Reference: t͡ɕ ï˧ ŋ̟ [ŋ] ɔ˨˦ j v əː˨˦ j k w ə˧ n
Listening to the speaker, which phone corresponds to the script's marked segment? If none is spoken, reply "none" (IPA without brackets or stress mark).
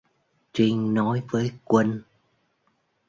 n